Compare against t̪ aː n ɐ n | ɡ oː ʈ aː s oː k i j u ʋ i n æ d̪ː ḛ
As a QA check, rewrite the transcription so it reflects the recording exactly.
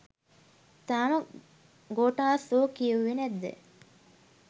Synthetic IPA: t̪ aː m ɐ | ɡ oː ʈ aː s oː k i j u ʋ i n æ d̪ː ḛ